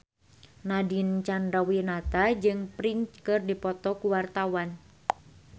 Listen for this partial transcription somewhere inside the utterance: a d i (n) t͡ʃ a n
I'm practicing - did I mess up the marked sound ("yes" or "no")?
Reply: no